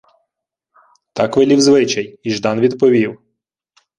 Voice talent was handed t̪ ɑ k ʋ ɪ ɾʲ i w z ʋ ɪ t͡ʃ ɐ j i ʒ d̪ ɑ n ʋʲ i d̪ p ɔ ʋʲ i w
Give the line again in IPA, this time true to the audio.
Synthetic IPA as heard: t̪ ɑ k ʋ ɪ lʲ i w z ʋ ɪ t͡ʃ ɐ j i ʒ d̪ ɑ n ʋʲ i d̪ p ɔ ʋʲ i w